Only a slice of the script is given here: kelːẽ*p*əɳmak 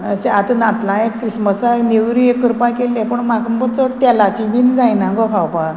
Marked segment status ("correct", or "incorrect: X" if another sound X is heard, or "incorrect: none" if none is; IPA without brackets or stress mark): correct